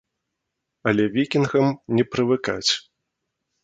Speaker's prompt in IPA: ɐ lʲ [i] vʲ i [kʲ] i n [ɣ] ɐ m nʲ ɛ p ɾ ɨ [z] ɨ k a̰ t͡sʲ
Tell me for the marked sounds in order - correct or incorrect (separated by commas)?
incorrect, correct, correct, incorrect